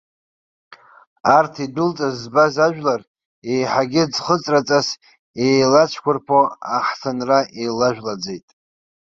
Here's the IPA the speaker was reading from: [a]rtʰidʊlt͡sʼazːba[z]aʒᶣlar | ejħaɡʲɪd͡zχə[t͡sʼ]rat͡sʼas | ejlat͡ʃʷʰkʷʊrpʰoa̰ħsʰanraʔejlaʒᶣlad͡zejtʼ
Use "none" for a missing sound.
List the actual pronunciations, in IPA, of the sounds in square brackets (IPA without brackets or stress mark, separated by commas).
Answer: a, z, t͡sʼ